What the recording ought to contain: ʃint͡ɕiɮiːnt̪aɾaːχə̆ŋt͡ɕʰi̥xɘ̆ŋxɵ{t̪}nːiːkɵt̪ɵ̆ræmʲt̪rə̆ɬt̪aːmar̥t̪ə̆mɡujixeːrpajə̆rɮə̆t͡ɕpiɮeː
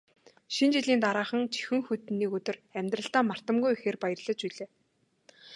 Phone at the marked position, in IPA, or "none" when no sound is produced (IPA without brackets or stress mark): t̪